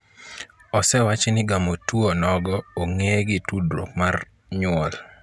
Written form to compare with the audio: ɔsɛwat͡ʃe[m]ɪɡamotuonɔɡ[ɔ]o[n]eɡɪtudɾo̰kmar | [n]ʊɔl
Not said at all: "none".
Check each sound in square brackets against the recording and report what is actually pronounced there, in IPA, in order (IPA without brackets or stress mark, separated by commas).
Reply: n, ɔ, ŋ, ɲ